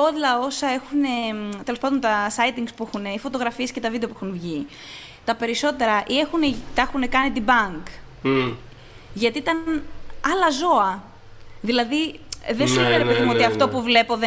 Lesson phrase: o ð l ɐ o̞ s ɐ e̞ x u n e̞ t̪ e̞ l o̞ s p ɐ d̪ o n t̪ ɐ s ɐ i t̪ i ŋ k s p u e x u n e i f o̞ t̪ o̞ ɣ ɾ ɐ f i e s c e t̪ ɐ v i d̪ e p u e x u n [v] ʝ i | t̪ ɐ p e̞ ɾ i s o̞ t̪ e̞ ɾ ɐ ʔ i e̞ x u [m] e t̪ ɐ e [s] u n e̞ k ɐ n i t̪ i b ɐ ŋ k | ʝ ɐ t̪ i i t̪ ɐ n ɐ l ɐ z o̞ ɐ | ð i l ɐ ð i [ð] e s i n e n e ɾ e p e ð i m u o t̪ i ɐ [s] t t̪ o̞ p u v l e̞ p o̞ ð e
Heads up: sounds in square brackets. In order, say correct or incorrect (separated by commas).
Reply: correct, incorrect, incorrect, correct, incorrect